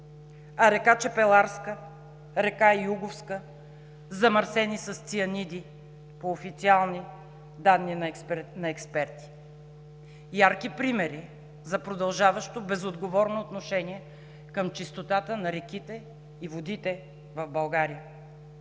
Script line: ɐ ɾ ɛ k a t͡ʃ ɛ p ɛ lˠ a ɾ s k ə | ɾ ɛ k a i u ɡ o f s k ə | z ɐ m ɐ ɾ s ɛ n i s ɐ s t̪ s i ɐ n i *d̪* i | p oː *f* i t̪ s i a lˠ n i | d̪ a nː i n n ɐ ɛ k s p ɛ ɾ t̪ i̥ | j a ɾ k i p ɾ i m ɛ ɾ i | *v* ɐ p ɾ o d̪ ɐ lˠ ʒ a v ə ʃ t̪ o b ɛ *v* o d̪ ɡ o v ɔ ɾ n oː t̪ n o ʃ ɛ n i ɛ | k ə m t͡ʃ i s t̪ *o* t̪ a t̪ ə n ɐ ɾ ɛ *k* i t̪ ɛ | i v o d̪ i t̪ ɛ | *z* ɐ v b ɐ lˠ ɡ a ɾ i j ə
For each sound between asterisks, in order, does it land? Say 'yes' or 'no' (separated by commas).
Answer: yes, yes, no, no, yes, yes, no